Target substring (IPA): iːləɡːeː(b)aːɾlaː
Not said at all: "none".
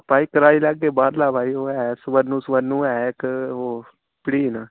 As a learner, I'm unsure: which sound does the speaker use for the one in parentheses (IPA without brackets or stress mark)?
b